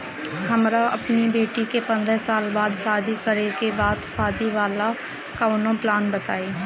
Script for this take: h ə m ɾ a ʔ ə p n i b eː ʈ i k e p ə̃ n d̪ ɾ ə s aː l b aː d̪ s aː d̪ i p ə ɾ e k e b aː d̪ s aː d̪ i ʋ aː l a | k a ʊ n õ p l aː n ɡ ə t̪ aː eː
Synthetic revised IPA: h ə m ɾ a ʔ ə p n i b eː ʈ i k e p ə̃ n d̪ ɾ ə s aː l b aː d̪ s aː d̪ i k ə ɾ e k e b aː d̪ s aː d̪ i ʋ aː l a | k a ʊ n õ p l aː n b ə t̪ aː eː